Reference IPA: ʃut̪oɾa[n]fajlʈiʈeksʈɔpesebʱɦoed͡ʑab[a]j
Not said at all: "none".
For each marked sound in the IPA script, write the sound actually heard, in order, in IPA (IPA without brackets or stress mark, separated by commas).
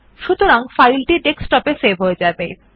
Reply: ŋ, e